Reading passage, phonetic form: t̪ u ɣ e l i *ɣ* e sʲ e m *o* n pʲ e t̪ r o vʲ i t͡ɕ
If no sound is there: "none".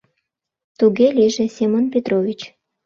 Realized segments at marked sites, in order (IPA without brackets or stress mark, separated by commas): ʒ, o